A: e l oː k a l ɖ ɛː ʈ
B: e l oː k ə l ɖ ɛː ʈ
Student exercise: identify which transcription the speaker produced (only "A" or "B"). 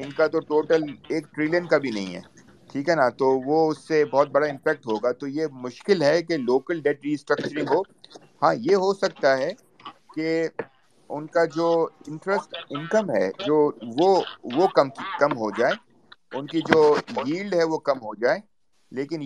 B